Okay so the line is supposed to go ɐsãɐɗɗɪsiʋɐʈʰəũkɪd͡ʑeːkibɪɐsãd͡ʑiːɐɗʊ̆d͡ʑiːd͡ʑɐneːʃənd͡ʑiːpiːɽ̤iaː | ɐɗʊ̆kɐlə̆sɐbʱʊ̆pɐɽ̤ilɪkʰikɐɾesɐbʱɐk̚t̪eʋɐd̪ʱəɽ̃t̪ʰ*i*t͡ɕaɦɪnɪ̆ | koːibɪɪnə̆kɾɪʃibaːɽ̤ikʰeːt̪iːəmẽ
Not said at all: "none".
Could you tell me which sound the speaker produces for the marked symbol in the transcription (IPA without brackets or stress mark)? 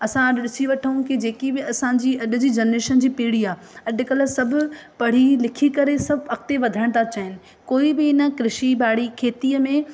a